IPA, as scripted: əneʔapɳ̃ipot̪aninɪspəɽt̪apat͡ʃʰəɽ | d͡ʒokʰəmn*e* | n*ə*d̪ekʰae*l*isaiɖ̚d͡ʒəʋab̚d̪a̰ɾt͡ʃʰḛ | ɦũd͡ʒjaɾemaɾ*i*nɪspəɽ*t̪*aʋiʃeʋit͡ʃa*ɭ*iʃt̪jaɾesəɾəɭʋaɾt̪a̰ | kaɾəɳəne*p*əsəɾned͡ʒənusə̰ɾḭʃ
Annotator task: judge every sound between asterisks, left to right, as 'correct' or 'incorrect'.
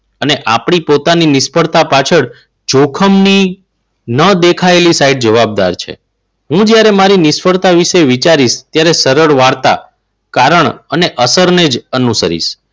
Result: incorrect, correct, correct, correct, correct, incorrect, incorrect

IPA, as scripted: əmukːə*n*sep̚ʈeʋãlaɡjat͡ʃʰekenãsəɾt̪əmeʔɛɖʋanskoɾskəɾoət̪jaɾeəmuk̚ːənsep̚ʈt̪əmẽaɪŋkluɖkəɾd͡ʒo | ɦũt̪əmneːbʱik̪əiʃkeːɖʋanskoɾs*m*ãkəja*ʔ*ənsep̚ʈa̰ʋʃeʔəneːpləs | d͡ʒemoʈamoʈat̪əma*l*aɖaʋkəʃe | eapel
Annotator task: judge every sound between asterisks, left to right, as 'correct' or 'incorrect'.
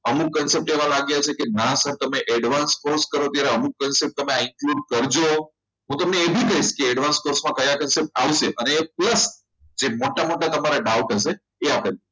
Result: correct, correct, incorrect, incorrect

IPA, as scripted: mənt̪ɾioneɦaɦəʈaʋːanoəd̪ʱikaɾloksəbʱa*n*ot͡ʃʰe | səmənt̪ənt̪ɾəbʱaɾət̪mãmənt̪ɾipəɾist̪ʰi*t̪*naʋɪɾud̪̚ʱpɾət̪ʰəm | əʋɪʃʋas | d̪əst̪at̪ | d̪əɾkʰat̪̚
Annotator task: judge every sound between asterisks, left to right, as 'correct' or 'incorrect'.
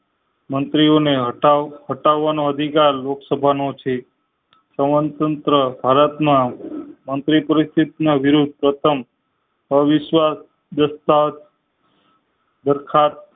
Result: correct, correct

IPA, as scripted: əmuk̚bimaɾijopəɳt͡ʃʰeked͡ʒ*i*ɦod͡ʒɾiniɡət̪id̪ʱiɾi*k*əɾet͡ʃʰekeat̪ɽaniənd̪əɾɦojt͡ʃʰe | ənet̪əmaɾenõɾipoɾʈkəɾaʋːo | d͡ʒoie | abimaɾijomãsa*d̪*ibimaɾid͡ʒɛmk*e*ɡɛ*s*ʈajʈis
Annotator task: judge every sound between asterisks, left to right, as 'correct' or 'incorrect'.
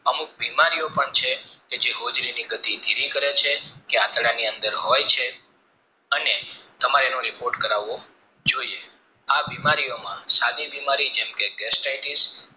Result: incorrect, correct, correct, correct, correct

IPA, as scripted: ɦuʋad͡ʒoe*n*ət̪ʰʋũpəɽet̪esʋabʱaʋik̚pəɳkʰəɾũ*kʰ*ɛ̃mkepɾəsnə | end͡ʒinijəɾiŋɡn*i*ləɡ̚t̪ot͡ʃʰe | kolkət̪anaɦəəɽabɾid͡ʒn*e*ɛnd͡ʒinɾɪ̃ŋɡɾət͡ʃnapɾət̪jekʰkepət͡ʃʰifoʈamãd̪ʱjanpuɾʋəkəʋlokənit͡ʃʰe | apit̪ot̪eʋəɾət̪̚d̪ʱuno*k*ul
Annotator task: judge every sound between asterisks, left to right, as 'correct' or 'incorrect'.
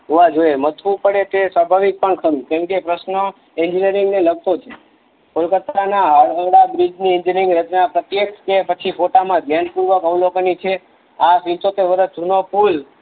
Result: incorrect, incorrect, incorrect, incorrect, incorrect

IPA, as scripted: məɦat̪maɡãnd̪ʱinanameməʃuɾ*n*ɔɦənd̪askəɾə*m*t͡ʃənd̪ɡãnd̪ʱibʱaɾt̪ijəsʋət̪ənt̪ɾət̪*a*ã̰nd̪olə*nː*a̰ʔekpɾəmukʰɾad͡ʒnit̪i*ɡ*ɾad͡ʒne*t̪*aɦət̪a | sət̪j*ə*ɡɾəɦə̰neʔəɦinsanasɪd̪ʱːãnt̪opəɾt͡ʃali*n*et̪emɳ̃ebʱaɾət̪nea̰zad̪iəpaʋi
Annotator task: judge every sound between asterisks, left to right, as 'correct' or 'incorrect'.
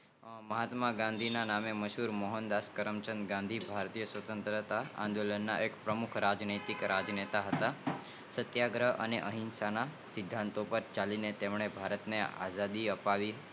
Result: incorrect, correct, correct, correct, incorrect, correct, incorrect, correct

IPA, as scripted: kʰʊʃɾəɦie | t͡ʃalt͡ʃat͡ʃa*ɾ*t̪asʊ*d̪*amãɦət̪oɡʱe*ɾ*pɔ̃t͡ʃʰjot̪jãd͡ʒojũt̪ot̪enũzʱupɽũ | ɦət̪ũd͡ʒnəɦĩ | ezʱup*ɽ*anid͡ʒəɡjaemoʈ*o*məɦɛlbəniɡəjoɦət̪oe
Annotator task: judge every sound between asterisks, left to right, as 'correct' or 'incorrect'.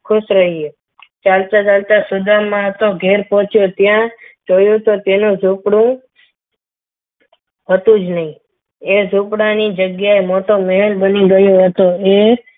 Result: incorrect, correct, correct, correct, correct

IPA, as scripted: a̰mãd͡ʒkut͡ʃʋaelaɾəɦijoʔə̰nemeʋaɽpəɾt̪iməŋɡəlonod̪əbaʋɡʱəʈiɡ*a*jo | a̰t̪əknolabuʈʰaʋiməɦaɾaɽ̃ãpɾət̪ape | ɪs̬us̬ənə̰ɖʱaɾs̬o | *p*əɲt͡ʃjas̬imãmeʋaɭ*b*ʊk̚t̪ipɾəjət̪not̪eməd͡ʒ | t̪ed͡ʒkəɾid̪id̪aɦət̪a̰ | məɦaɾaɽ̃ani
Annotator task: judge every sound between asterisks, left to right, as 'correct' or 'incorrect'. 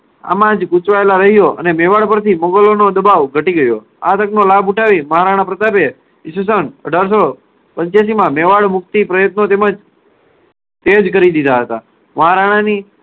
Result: incorrect, correct, incorrect

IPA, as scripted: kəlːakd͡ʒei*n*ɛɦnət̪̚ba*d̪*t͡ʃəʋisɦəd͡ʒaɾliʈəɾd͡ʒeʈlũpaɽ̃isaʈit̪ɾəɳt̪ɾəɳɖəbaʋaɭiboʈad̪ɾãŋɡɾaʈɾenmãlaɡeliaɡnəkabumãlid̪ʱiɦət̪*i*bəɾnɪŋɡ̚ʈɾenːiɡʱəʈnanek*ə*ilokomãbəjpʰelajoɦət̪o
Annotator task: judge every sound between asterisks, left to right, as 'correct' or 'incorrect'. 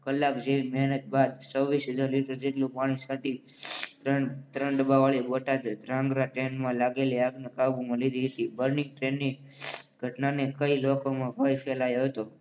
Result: incorrect, correct, correct, correct

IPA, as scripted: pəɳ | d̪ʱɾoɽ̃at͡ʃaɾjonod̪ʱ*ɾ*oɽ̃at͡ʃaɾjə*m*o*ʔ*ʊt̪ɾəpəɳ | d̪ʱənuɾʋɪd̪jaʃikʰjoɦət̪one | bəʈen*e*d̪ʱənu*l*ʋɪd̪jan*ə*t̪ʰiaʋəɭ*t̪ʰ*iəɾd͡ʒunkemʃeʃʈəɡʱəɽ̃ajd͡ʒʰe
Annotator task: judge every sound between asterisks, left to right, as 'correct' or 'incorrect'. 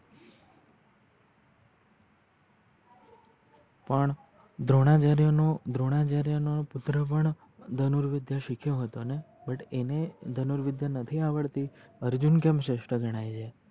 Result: correct, incorrect, incorrect, correct, incorrect, correct, incorrect

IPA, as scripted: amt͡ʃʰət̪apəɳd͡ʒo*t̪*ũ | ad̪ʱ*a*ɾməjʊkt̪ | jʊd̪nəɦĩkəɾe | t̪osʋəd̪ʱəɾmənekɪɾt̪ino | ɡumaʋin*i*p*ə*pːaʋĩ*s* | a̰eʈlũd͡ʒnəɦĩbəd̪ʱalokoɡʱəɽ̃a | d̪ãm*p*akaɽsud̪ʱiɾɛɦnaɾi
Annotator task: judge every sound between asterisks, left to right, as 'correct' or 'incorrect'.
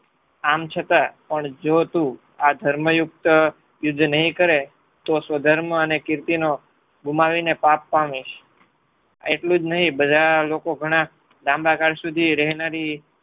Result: correct, incorrect, incorrect, incorrect, incorrect, incorrect

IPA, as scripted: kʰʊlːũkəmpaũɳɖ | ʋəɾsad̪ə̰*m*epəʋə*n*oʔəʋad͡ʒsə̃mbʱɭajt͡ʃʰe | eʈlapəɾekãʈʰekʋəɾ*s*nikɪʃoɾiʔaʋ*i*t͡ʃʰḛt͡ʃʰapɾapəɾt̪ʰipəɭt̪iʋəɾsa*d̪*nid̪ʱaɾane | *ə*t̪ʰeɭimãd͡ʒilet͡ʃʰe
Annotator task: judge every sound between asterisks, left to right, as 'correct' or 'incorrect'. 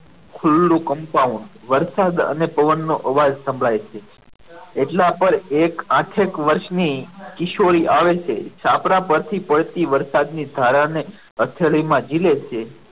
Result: incorrect, incorrect, incorrect, incorrect, correct, correct

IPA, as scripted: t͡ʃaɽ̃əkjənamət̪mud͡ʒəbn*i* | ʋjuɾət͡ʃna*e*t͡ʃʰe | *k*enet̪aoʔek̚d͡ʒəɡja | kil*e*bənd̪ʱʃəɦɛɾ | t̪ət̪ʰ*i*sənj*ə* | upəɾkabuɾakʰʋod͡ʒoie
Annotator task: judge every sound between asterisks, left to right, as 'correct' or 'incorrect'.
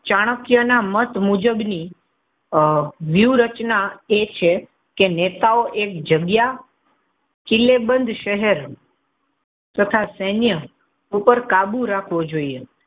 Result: correct, correct, correct, correct, incorrect, correct

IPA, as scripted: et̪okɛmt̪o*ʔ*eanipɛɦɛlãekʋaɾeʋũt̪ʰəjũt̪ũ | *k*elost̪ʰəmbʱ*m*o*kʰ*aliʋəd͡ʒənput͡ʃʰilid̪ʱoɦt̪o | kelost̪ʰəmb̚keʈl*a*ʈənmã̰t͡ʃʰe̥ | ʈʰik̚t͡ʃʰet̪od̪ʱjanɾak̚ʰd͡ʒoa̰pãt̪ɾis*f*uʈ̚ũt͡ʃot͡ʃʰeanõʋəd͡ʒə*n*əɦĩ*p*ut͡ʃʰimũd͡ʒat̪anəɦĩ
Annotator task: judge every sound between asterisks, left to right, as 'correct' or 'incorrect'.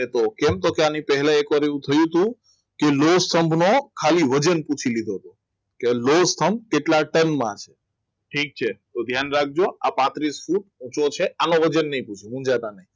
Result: incorrect, correct, incorrect, correct, correct, correct, incorrect, correct

